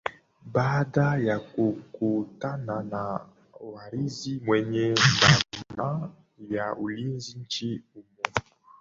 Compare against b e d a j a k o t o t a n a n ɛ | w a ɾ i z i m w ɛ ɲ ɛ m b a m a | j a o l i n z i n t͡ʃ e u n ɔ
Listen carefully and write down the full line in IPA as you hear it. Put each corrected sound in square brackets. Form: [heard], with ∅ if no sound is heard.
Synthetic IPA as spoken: b [a] d a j a k o [k] o t a n a n [a] | w a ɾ i z i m w ɛ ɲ ɛ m b a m a | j a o l i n z i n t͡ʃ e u [m] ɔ